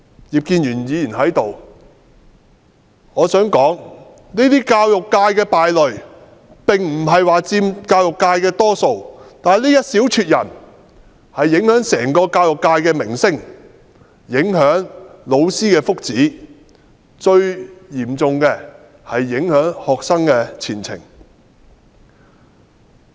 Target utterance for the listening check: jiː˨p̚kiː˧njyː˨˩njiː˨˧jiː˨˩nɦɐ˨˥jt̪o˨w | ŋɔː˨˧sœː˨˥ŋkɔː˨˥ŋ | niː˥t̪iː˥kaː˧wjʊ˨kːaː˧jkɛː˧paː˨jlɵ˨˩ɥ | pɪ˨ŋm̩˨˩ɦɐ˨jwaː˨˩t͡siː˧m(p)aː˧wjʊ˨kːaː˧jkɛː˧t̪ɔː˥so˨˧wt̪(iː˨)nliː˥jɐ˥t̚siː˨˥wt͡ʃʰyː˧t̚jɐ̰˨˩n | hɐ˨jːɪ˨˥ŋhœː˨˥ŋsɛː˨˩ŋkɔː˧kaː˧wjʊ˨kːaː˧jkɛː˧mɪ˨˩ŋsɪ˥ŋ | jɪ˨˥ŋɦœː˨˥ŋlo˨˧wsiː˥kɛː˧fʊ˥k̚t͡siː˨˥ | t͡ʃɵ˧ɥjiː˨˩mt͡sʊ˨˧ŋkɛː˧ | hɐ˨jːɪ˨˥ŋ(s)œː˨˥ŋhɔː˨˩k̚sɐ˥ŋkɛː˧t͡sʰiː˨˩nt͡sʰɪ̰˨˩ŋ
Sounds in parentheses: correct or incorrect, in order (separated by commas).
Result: incorrect, incorrect, incorrect